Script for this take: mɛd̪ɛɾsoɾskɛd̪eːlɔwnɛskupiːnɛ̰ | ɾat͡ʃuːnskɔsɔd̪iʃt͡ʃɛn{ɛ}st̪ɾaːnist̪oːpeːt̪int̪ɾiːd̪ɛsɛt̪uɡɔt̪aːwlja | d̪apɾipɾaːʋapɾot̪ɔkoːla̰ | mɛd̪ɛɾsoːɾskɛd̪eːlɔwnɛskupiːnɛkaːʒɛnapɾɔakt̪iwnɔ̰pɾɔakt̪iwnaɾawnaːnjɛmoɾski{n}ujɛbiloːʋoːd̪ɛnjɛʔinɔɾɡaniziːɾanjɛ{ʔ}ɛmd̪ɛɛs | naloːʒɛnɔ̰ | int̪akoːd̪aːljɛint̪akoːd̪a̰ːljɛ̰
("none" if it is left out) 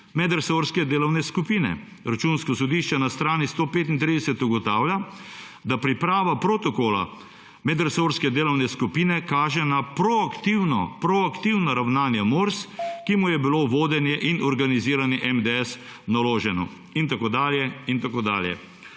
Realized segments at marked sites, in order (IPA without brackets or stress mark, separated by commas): a, m, ʔ